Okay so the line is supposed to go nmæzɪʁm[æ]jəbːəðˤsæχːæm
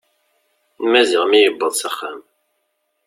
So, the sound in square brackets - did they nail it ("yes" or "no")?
no